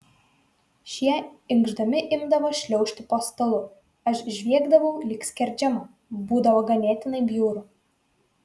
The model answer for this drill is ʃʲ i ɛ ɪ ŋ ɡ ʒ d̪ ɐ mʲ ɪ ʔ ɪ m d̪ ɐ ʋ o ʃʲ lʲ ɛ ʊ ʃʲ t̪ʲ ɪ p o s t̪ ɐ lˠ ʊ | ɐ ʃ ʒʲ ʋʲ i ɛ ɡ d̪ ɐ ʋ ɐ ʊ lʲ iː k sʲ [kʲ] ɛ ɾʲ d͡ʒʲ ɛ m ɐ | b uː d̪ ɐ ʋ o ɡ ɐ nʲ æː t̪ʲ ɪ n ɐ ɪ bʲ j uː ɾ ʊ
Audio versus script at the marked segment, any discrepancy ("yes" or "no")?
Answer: no